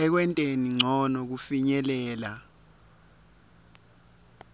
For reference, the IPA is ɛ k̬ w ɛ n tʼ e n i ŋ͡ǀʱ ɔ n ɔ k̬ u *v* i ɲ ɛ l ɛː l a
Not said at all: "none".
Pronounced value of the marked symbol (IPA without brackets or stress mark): f